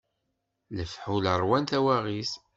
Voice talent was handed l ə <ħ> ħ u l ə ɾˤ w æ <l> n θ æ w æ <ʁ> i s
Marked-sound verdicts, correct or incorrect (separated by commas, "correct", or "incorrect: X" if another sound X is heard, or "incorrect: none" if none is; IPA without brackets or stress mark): incorrect: f, incorrect: none, correct